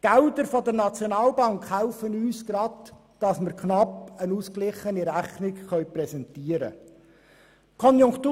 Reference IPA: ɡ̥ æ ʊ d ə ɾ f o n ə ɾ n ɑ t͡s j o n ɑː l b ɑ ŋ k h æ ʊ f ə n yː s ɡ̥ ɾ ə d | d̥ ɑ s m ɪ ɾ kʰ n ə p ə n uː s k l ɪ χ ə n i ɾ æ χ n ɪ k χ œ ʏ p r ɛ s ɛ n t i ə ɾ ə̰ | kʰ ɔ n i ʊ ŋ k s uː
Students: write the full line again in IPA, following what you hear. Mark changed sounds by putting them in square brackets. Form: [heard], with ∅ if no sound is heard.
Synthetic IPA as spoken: ɡ̥ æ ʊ d ə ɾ f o [d] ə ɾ n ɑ t͡s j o n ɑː l b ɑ ŋ k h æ ʊ f ə n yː s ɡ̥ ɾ [ɑ] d | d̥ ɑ s m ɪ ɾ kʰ n [ɑ] p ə n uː s k l ɪ χ ə n i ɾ æ χ n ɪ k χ œ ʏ p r ɛ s ɛ n t i ə ɾ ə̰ | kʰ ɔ n [j] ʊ ŋ k [t] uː